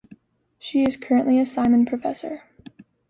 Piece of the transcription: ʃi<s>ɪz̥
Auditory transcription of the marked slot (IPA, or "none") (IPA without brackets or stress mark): none